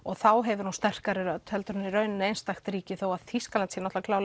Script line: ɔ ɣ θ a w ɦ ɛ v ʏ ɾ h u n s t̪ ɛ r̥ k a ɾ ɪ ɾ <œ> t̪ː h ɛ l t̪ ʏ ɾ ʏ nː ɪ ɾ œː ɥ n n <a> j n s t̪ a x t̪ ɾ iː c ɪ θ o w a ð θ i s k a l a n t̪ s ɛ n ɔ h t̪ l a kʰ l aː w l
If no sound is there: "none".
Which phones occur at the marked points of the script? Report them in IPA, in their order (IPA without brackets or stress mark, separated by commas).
œ, e